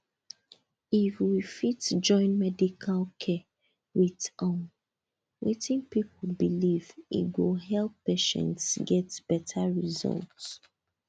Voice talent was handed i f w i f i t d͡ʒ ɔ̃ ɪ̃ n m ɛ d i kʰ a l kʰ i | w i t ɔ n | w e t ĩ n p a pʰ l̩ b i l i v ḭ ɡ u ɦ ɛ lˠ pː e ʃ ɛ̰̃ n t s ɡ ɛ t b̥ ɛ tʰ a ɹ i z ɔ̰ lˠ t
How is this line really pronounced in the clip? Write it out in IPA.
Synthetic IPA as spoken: i f w i f i t d͡ʒ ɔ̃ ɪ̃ n m ɛ d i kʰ a l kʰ ɛ | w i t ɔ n | w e t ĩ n p i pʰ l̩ b i l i v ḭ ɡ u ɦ ɛ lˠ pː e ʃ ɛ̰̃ n t s ɡ ɛ t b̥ ɛ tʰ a ɹ i z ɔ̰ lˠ t